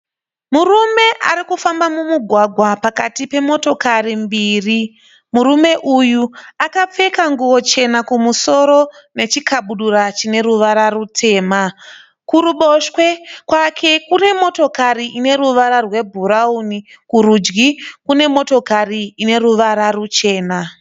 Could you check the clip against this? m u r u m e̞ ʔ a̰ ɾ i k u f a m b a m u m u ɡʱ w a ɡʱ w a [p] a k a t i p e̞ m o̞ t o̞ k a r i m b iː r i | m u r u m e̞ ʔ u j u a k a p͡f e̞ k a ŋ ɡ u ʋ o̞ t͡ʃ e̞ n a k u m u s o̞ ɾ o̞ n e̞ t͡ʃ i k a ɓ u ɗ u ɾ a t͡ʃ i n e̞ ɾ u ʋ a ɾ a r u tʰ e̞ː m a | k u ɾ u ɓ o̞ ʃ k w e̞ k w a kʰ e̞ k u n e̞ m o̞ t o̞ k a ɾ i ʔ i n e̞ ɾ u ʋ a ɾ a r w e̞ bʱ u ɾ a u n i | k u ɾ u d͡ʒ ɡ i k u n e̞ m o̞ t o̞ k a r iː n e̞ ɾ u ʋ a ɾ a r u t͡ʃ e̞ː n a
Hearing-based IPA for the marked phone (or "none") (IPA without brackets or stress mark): p